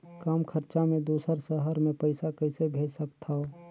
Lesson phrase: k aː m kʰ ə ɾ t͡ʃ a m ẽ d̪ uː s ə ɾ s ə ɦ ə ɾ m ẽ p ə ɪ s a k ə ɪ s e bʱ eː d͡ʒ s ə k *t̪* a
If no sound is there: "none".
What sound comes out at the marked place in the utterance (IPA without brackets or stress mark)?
t̪ʰ